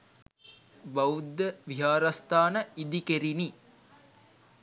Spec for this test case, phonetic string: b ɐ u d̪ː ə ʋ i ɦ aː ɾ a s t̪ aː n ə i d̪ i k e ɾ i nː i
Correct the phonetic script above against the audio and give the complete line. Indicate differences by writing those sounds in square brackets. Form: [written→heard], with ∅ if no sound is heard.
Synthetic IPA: b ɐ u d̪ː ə ʋ i ɦ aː ɾ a s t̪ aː n ə i d̪ i k e ɾ i [nː→n] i